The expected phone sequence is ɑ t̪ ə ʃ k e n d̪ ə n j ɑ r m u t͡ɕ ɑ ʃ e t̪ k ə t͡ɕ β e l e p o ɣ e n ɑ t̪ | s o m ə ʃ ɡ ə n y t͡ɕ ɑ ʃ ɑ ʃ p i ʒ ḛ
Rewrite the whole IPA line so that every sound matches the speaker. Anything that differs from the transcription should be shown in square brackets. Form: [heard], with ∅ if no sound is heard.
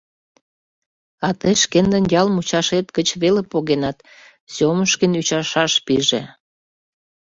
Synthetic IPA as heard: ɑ t̪ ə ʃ k e n d̪ ə n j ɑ [l] m u t͡ɕ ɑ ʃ e t̪ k ə t͡ɕ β e l e p o ɣ e n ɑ t̪ | s o m ə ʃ [k] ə n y t͡ɕ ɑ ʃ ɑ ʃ p i ʒ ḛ